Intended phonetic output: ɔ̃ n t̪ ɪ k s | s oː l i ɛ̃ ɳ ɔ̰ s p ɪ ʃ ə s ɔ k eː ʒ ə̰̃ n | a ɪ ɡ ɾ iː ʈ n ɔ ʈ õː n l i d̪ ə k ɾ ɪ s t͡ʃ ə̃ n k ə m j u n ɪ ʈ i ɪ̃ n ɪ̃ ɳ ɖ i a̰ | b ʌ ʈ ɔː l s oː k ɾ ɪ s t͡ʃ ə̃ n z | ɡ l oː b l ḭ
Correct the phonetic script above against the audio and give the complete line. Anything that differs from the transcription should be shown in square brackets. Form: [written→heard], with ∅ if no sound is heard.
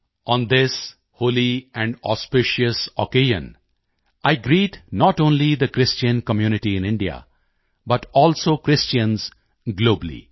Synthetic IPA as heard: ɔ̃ n [t̪→d̪] ɪ [k→∅] s | [s→h] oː l i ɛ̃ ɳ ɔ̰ s p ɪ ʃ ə s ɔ k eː ʒ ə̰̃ n | a ɪ ɡ ɾ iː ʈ n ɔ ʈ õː n l i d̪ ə k ɾ ɪ s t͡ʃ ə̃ n k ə m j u n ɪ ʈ i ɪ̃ n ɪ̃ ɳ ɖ i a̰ | b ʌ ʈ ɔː l s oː k ɾ ɪ s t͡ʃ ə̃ n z | ɡ l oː b l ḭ